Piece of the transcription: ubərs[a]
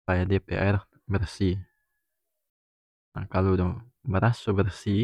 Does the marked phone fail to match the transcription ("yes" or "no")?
yes